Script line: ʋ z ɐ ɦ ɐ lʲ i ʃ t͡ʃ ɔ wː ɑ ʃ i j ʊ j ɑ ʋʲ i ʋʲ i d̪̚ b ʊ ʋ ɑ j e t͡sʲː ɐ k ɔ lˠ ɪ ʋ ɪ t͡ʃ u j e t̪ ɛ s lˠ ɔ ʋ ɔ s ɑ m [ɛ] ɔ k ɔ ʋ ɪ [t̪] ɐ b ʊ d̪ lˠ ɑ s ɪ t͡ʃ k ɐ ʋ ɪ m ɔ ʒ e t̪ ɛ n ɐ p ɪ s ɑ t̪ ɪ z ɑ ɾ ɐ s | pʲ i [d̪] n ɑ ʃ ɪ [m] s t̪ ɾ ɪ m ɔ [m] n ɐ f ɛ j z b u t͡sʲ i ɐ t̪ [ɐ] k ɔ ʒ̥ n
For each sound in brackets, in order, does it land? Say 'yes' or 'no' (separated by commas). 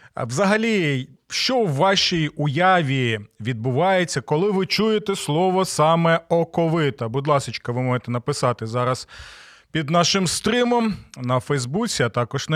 yes, yes, yes, yes, yes, no